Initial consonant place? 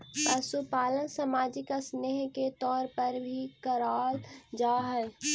labial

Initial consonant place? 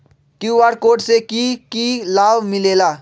velar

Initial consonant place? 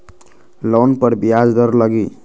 alveolar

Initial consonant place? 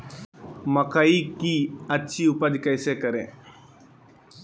labial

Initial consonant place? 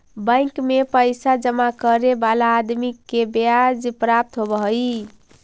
labial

